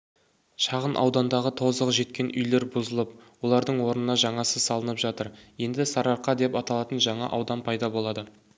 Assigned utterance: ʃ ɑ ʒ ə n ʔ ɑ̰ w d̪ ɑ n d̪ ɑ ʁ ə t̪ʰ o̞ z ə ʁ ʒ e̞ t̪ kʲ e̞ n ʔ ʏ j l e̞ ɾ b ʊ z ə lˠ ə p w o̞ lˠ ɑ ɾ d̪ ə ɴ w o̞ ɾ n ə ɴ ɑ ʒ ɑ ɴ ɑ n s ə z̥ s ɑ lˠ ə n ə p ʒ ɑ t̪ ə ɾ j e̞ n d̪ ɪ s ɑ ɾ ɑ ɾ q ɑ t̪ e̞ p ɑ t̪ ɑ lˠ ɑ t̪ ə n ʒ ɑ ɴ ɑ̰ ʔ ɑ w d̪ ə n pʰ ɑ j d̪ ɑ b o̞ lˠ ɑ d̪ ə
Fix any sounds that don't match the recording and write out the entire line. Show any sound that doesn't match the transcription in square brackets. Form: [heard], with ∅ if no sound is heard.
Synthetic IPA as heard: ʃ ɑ [ʁ] ə n ʔ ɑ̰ w d̪ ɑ n d̪ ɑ ʁ ə t̪ʰ o̞ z ə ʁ ʒ e̞ t̪ kʲ e̞ n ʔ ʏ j l e̞ ɾ b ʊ z ə lˠ ə p w o̞ lˠ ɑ ɾ d̪ ə ɴ w o̞ ɾ n ə [n] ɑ ʒ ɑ ɴ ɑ [∅] s ə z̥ s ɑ lˠ ə n ə p ʒ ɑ t̪ ə ɾ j e̞ n d̪ ɪ s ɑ ɾ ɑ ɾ q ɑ [d̪] e̞ p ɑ t̪ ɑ lˠ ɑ t̪ ə n ʒ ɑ ɴ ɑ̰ ʔ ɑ w d̪ [ɑ] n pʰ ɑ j d̪ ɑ b o̞ lˠ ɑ d̪ ə